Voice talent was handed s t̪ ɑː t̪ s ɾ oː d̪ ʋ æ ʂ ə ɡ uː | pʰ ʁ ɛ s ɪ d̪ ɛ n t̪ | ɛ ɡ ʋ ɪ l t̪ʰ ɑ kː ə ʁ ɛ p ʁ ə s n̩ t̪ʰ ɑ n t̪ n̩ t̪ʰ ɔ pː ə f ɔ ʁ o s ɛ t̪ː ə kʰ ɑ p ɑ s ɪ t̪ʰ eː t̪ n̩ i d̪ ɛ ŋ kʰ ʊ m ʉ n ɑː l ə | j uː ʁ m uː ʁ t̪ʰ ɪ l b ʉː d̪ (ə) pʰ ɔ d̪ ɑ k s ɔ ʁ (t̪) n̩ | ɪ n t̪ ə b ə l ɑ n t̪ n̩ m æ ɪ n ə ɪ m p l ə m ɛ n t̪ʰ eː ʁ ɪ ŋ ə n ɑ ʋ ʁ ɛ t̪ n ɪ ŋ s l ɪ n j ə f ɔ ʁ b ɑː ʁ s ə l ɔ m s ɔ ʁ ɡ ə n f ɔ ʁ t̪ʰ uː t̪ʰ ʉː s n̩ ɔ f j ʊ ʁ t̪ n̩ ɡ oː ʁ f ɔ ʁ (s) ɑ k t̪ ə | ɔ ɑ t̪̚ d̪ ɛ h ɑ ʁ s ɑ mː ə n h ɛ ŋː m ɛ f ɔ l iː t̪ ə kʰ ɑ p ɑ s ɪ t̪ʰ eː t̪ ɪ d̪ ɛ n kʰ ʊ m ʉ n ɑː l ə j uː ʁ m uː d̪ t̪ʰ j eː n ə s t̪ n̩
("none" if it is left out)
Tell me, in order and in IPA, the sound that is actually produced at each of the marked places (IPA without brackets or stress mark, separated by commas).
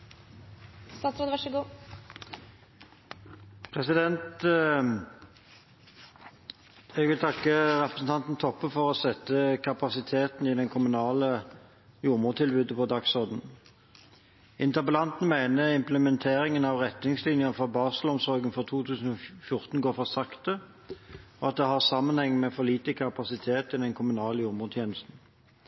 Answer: ə, d̪, s